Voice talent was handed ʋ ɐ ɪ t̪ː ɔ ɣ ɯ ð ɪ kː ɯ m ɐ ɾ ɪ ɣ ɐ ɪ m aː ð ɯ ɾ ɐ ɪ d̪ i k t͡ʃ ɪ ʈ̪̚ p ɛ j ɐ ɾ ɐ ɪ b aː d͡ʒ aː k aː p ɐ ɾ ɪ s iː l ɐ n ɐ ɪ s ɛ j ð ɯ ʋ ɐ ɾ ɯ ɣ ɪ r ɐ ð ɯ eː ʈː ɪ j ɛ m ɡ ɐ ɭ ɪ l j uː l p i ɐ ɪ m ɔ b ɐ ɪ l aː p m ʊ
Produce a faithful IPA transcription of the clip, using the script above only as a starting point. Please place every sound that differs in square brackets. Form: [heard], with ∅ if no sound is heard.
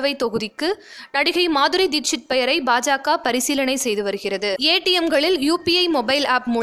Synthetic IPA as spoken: ʋ ɐ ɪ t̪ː ɔ ɣ ɯ ð ɪ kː ɯ [n] ɐ [ɽ] ɪ ɣ ɐ ɪ m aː ð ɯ ɾ ɐ ɪ d̪ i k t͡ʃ ɪ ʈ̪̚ p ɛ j ɐ ɾ ɐ ɪ b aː d͡ʒ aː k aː p ɐ ɾ ɪ s iː l ɐ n ɐ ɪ s ɛ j ð ɯ ʋ ɐ ɾ ɯ ɣ ɪ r ɐ ð ɯ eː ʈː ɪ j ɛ m ɡ ɐ ɭ ɪ l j uː [∅] p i ɐ ɪ m ɔ b ɐ ɪ l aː p m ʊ